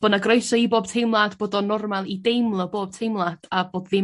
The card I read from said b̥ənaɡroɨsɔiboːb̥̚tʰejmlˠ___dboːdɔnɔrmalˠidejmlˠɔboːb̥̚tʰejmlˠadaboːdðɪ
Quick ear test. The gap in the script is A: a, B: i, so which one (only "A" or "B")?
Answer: A